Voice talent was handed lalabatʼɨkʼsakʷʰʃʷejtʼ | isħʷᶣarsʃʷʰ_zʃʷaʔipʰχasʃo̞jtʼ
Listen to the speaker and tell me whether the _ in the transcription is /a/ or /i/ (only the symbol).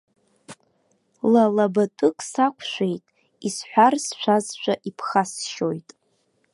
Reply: a